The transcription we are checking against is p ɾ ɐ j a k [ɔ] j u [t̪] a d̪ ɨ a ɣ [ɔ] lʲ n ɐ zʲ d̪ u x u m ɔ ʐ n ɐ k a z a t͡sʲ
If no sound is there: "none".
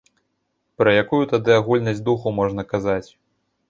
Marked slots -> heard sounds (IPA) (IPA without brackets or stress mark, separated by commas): u, t̪, u